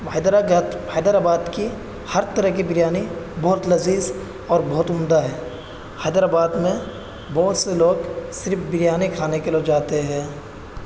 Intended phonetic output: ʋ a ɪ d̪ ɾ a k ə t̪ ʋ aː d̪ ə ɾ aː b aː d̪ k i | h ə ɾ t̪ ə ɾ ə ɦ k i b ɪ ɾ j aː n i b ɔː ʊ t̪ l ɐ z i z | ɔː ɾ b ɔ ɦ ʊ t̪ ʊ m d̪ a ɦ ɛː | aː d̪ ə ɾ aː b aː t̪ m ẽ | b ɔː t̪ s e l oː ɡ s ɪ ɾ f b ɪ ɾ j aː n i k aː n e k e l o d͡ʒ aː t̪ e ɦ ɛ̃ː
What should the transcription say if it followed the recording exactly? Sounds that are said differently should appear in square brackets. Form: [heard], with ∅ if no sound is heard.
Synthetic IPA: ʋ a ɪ d̪ ɾ a [ɡ] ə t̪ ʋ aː d̪ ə ɾ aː b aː d̪ k i | h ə ɾ t̪ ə ɾ ə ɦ k i b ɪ ɾ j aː n i b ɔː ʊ t̪ l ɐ z [iː] z | ɔː ɾ b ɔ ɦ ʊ t̪ ʊ m d̪ a ɦ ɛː | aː d̪ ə ɾ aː b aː [d̪] m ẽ | b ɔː t̪ s e l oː ɡ s ɪ ɾ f b ɪ ɾ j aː n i [kʰ] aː n e k e l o d͡ʒ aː t̪ e ɦ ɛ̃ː